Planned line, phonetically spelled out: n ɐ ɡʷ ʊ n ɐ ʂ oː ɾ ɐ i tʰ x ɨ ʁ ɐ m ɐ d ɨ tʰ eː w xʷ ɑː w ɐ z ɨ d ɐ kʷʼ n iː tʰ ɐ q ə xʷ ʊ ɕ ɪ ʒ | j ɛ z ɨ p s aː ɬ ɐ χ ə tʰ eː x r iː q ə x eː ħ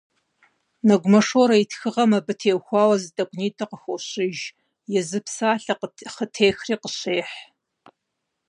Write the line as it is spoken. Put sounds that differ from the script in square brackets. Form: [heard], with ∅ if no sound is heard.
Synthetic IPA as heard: n ɐ ɡʷ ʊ [m] ɐ ʂ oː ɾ ɐ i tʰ x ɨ ʁ ɐ m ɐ [b] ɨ tʰ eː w xʷ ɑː w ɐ z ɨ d ɐ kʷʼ n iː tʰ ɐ q ə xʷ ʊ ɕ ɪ ʒ | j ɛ z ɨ p s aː ɬ ɐ χ ə tʰ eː x r iː q ə [ɕ] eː ħ